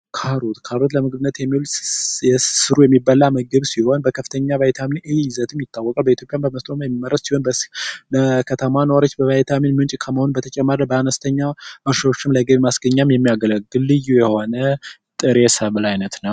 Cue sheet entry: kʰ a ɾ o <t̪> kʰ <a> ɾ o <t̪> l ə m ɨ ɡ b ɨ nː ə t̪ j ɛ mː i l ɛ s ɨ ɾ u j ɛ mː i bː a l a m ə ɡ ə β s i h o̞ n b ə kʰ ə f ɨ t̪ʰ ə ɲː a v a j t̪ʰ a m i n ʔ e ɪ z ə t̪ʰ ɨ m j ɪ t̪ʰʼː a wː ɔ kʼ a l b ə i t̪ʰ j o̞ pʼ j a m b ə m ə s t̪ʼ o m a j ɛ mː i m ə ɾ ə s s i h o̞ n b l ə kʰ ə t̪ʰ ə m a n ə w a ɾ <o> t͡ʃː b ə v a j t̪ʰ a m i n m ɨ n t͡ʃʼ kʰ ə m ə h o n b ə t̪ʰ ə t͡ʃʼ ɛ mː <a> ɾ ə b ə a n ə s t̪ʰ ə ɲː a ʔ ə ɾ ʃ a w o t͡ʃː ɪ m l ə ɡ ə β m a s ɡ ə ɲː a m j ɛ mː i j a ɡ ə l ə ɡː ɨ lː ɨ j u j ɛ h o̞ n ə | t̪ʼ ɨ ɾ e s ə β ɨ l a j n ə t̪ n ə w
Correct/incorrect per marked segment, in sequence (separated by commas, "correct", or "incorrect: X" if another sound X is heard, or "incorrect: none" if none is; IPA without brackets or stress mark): correct, correct, correct, correct, correct